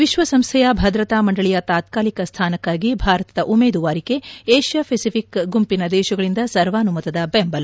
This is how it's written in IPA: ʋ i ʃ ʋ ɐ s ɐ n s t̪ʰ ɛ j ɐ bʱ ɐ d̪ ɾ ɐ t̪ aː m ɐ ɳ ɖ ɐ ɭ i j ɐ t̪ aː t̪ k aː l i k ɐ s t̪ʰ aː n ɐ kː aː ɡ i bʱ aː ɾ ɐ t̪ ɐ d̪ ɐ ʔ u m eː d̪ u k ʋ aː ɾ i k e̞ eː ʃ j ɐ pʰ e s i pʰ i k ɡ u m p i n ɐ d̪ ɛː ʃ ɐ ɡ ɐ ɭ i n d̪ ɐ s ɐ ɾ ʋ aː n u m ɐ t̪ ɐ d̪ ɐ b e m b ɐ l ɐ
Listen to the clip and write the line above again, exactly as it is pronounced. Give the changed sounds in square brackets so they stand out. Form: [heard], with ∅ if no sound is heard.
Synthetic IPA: ʋ i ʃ ʋ ɐ s ɐ [m] s t̪ʰ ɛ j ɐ bʱ ɐ d̪ ɾ ɐ t̪ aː m ɐ ɳ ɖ ɐ ɭ i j ɐ t̪ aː t̪ k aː l i k ɐ s t̪ʰ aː n ɐ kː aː ɡ i bʱ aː ɾ ɐ t̪ ɐ d̪ ɐ ʔ u m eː d̪ u [∅] ʋ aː ɾ i k e̞ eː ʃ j ɐ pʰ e s i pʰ i k ɡ u m p i n ɐ d̪ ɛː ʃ ɐ ɡ ɐ ɭ i n d̪ ɐ s ɐ ɾ ʋ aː n u m ɐ t̪ ɐ d̪ ɐ b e m b ɐ l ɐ